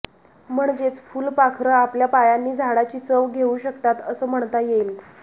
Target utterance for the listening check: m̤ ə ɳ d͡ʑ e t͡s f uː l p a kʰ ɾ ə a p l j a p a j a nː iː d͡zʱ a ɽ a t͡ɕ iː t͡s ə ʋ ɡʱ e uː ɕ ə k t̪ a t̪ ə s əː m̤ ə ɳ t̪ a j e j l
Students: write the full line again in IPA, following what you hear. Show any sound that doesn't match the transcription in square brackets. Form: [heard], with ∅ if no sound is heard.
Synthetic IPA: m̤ ə ɳ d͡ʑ e t͡s f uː l p a kʰ ɾ ə a p l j a p a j a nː iː d͡zʱ a ɽ a t͡ɕ iː t͡s ə ʋ ɡʱ e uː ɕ ə k t̪ a t̪ ə s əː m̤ ə ɳ t̪ a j e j l